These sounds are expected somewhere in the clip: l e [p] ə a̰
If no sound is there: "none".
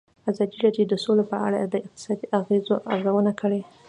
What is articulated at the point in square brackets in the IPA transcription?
p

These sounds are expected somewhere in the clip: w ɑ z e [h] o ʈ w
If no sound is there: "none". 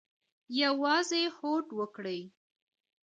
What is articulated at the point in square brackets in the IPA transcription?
h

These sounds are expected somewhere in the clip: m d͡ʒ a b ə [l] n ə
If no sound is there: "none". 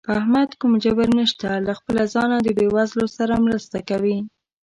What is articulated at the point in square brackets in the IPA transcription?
ɾ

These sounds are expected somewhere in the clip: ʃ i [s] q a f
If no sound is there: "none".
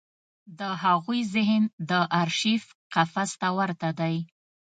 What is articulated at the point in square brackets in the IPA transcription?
f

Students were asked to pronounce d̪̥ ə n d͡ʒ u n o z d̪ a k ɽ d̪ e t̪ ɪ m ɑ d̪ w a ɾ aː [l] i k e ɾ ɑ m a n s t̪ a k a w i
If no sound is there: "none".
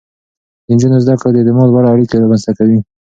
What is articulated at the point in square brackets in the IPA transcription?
ɽ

